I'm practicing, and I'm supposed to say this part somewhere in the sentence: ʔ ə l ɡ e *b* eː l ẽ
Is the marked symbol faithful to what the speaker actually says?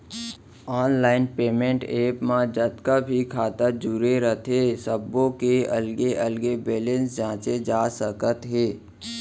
yes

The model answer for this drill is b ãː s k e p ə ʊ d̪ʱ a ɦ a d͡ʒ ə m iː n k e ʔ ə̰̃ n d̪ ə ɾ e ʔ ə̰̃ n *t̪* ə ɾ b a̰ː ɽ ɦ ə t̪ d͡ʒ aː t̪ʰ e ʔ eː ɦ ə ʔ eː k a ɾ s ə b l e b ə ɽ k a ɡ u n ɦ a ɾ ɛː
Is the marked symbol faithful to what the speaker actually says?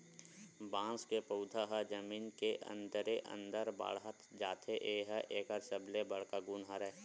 no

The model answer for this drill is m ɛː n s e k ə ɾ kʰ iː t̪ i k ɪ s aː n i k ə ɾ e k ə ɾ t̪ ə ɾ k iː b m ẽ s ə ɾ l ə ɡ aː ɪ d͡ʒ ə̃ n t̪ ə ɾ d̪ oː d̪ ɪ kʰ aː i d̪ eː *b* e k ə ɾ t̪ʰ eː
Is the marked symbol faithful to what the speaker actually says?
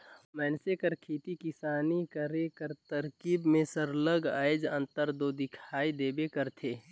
yes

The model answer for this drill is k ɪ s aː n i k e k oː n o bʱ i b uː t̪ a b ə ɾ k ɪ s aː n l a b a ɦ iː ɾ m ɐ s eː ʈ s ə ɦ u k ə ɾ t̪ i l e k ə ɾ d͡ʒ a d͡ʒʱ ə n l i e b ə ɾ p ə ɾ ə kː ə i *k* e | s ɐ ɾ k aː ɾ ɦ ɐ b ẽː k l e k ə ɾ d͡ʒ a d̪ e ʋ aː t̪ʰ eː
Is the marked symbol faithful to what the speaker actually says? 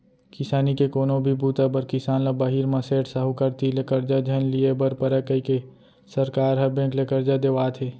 yes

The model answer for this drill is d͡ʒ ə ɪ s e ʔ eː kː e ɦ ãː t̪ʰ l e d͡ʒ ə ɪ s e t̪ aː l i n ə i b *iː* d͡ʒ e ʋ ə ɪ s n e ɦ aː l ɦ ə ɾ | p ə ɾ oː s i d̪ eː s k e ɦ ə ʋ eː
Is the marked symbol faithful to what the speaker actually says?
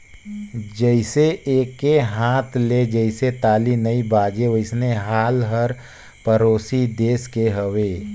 no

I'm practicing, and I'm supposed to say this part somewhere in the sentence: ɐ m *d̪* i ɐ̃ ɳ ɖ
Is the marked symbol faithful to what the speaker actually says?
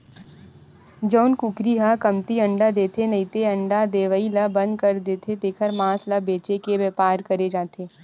no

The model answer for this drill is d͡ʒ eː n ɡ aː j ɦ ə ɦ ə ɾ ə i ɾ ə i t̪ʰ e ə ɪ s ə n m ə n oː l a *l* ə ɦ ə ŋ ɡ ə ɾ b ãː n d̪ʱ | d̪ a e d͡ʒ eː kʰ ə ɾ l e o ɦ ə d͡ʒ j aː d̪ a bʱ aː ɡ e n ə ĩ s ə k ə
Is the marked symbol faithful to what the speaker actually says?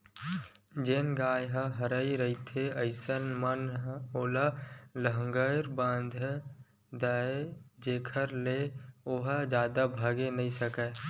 yes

